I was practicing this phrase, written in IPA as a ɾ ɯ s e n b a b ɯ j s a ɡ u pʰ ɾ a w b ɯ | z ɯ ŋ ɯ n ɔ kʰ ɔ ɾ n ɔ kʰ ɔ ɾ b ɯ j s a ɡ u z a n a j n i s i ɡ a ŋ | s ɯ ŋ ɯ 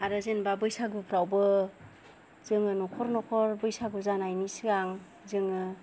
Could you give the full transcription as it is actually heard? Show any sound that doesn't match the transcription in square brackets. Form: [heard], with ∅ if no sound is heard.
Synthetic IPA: a ɾ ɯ [z] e n b a b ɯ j s a ɡ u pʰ ɾ a w b ɯ | z ɯ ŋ ɯ n ɔ kʰ ɔ ɾ n ɔ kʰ ɔ ɾ b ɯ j s a ɡ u z a n a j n i s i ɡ a ŋ | [z] ɯ ŋ ɯ